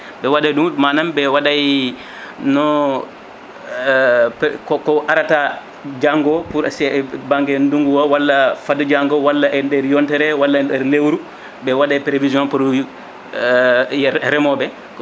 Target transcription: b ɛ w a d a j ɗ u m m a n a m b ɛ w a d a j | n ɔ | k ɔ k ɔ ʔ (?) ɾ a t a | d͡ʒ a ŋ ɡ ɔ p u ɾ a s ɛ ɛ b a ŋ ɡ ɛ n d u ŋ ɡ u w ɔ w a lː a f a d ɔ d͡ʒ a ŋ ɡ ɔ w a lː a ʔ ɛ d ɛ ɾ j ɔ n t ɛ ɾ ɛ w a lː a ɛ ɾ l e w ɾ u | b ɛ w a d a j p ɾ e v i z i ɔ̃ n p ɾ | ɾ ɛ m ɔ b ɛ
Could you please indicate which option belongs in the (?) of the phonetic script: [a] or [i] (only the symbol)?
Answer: a